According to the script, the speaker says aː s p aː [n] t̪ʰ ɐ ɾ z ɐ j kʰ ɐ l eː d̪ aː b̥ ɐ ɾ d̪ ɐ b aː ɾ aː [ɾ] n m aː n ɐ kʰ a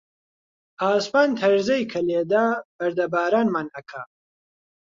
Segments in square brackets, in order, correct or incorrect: correct, incorrect

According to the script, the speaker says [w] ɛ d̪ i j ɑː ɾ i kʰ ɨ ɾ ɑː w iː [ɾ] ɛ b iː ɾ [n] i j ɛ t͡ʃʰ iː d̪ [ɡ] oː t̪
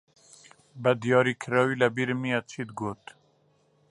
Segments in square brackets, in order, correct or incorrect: incorrect, incorrect, incorrect, correct

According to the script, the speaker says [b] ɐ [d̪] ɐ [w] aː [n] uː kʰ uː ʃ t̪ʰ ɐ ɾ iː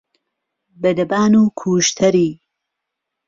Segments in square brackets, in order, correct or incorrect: correct, correct, incorrect, correct

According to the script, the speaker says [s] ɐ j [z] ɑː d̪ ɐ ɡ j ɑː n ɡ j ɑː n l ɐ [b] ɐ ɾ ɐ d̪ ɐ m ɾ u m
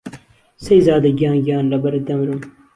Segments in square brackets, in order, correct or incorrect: correct, correct, correct

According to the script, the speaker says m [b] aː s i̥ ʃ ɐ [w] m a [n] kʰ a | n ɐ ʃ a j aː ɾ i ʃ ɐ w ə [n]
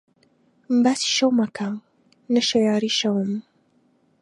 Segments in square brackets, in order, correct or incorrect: correct, correct, incorrect, incorrect

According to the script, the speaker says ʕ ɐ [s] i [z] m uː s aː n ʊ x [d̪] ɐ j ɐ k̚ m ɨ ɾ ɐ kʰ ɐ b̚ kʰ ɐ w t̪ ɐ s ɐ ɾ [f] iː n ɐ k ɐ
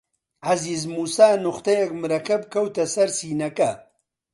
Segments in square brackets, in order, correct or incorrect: incorrect, correct, incorrect, incorrect

